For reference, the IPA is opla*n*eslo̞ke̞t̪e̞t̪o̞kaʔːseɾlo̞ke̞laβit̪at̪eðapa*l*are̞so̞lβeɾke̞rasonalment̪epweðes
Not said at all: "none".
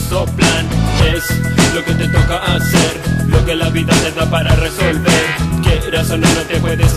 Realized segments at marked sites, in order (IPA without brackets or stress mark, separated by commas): n, ɾ